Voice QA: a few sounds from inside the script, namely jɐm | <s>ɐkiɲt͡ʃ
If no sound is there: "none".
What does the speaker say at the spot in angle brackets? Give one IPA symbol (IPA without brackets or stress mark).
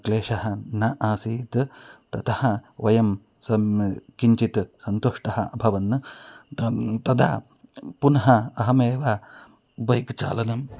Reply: s